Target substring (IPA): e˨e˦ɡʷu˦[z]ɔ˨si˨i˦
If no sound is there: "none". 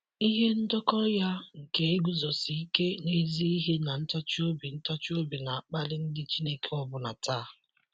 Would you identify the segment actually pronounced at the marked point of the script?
z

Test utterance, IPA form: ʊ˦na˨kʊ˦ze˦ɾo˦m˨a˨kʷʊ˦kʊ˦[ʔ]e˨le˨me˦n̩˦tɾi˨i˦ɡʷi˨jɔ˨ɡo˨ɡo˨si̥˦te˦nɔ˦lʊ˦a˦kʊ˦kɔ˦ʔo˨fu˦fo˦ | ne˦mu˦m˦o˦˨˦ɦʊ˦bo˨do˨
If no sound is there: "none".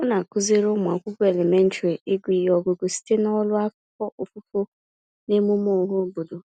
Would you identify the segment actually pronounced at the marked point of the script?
none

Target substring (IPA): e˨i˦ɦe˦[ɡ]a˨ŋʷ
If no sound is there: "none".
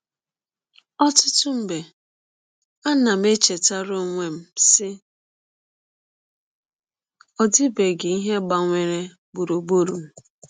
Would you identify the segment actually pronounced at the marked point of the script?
ɡ͡b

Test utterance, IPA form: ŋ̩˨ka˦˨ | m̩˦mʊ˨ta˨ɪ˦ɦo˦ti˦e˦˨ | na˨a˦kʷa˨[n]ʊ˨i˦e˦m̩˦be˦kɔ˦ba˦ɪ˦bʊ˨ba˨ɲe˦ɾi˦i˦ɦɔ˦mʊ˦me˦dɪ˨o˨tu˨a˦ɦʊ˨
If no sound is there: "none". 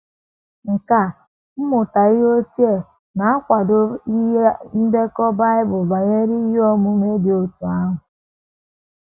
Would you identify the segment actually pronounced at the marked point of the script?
d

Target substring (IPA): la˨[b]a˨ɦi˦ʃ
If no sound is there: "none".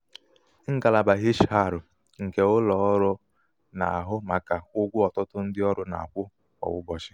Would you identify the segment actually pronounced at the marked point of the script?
b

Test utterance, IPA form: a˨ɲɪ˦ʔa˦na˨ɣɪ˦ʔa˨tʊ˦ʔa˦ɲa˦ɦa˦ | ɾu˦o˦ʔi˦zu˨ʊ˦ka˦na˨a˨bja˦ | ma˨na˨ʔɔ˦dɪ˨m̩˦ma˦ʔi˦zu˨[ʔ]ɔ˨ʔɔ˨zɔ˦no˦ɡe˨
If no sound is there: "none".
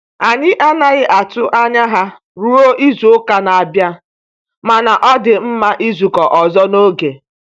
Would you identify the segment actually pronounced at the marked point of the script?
k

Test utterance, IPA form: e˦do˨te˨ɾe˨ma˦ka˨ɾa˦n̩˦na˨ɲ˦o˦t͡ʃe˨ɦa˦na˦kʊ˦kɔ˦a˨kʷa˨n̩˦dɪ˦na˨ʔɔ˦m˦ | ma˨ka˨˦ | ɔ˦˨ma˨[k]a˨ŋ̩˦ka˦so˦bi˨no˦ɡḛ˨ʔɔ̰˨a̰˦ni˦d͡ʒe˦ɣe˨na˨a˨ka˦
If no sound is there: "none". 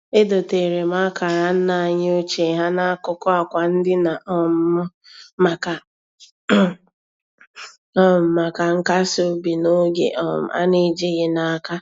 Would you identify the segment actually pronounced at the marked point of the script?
k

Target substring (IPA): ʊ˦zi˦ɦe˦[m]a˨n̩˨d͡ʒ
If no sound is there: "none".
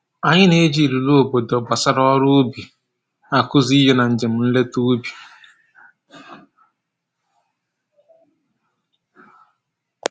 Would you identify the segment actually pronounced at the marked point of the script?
n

